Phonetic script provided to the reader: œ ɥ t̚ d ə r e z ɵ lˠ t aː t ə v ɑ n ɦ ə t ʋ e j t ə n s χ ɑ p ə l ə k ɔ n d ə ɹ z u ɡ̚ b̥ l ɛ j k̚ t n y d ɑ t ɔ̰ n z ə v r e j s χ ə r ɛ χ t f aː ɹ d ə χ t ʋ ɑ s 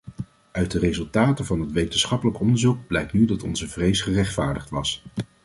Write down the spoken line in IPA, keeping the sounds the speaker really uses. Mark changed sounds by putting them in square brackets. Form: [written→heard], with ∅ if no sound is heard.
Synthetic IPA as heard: œ ɥ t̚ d ə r e z ɵ lˠ t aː t ə v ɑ n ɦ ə t ʋ e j t ə n s χ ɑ p ə l ə k ɔ n d ə ɹ z u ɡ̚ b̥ l ɛ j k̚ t n y d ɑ t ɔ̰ n z ə v r e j s χ ə r ɛ χ t f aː ɹ d ə χ t ʋ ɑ s